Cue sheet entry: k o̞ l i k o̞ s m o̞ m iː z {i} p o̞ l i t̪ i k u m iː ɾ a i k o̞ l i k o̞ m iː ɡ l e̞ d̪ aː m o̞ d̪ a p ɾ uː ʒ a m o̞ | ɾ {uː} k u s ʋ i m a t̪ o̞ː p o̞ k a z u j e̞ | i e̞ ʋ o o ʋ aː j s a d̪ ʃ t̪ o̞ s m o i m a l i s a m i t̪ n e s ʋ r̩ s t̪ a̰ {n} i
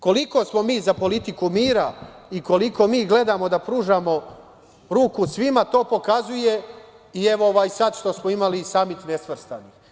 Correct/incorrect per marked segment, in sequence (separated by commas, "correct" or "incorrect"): incorrect, correct, correct